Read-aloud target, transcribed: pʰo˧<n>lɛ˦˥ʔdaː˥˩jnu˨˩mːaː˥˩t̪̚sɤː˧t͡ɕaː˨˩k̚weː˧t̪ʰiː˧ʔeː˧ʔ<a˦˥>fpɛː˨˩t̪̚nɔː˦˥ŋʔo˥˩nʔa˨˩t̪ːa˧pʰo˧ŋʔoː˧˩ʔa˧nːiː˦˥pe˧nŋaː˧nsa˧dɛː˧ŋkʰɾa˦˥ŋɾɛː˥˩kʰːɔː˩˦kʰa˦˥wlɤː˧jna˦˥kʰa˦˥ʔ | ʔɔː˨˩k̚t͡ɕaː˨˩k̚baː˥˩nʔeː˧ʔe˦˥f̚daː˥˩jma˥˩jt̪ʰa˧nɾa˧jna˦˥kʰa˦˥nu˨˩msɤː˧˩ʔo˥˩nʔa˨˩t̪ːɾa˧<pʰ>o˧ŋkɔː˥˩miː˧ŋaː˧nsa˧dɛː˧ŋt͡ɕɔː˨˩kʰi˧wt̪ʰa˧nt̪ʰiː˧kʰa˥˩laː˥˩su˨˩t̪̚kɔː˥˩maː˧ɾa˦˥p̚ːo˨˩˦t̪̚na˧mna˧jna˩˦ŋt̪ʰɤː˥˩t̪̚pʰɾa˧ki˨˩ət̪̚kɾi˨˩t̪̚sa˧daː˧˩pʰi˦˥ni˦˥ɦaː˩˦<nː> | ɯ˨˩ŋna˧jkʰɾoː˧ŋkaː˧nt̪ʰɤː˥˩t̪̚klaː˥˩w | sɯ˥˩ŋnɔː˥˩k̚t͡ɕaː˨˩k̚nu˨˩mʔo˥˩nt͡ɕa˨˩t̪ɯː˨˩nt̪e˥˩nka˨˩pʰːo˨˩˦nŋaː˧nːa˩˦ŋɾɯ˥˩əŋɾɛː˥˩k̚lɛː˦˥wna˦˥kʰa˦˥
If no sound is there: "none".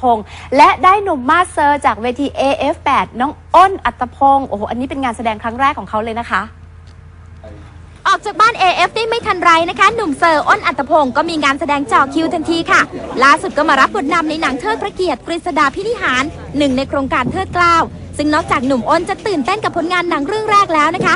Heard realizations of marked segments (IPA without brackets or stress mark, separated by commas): ŋ, e˦˥, pʰ, nː